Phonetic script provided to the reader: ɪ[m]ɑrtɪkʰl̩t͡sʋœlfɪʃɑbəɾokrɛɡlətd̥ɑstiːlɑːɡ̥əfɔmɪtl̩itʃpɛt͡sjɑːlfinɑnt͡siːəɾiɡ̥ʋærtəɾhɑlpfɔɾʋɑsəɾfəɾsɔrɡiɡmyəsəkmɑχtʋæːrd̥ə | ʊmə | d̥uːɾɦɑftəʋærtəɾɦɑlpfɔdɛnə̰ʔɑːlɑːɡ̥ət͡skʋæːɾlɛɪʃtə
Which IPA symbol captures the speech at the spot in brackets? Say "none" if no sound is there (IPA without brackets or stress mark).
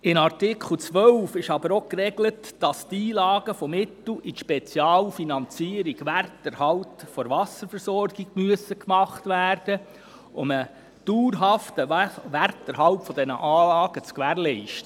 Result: n